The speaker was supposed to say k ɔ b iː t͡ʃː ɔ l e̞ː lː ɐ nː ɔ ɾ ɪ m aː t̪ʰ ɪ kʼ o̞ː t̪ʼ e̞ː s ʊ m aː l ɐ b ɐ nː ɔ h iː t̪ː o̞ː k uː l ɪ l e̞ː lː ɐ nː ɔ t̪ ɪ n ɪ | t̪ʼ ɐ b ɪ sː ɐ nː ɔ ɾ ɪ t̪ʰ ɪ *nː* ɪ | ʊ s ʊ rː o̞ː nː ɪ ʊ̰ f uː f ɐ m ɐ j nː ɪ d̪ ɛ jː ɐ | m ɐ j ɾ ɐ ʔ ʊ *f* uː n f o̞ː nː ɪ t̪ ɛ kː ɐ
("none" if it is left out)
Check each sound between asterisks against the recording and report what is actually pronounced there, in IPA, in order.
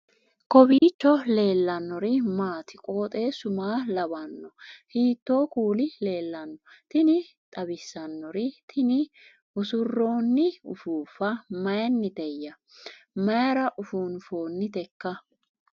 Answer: n, f

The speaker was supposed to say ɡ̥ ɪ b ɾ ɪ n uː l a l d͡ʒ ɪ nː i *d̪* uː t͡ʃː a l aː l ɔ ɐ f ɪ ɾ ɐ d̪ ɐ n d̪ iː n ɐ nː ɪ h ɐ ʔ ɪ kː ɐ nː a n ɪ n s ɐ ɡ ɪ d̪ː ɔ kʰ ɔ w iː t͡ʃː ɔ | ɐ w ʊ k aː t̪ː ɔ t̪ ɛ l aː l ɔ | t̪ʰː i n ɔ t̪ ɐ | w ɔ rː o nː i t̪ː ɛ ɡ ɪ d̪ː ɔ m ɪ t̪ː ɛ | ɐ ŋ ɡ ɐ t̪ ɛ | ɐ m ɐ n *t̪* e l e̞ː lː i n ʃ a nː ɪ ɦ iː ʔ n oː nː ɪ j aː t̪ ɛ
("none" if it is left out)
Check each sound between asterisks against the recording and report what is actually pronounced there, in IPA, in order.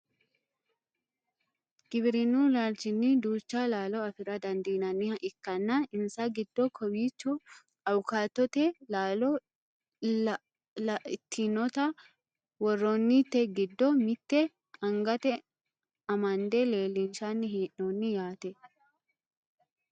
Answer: d̪, d̪

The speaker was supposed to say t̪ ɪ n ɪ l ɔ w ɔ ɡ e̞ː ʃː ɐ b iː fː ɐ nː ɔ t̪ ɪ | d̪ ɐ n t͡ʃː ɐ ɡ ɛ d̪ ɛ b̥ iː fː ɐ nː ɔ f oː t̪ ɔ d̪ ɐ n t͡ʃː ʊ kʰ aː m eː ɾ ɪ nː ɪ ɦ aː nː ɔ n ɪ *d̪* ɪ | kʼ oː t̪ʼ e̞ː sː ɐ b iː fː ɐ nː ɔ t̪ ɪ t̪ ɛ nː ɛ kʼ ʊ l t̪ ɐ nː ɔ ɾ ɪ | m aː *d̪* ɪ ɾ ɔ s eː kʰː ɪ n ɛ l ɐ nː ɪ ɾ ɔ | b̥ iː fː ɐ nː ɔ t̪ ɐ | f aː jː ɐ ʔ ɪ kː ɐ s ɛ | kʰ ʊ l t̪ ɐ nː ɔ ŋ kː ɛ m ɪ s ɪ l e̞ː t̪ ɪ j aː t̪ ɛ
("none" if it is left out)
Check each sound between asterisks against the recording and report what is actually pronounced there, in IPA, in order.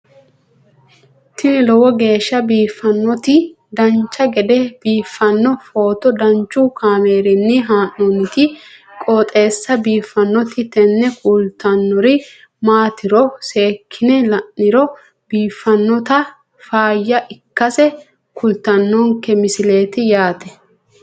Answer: t̪, t̪

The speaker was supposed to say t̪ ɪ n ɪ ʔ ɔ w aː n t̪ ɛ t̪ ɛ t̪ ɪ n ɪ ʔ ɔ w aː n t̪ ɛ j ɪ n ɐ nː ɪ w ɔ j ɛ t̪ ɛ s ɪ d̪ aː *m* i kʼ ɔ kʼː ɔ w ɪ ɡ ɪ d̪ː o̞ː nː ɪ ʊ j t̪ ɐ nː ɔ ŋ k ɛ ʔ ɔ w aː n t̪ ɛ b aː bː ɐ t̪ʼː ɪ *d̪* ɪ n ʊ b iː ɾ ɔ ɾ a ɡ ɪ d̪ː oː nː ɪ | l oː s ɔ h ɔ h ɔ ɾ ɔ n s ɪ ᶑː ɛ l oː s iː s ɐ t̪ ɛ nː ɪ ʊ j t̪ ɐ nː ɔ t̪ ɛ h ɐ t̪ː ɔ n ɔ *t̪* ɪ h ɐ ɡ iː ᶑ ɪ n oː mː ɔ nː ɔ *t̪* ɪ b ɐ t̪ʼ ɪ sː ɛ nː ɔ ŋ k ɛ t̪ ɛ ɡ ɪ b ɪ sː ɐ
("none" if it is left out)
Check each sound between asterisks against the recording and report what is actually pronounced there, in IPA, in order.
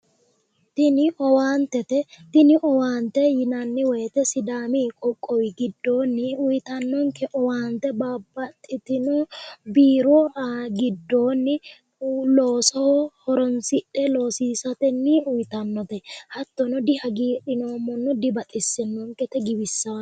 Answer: m, t̪, d̪, d̪

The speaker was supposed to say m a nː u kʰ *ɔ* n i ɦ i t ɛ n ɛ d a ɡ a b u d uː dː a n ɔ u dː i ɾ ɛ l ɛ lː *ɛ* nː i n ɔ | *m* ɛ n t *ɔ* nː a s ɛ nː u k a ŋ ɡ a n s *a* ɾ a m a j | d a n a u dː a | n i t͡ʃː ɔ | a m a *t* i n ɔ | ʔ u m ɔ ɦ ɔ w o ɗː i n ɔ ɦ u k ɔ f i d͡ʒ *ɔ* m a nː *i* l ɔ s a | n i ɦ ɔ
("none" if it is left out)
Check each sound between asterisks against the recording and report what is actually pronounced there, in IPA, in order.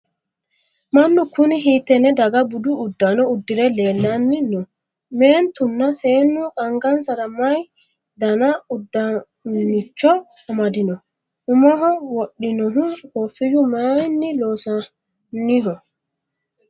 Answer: u, a, m, u, a, d, u, i

